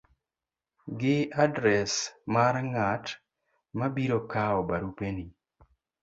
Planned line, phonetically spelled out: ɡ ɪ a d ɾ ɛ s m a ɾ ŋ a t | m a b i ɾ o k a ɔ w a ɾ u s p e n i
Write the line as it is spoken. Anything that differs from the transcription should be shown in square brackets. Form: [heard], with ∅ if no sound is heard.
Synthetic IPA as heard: ɡ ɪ a d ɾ ɛ s m a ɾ ŋ a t | m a b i ɾ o k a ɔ [b] a ɾ u [∅] p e n i